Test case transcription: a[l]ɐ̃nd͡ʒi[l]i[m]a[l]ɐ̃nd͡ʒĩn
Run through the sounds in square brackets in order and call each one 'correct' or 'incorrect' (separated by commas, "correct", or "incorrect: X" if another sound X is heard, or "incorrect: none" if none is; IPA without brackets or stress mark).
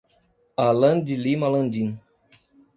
correct, correct, correct, correct